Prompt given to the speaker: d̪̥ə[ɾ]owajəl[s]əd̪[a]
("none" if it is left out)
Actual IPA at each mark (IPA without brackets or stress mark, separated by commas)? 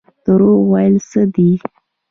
ɾ, s, i